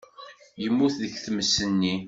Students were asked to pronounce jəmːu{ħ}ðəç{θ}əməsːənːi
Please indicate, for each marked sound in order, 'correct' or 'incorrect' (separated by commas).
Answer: incorrect, correct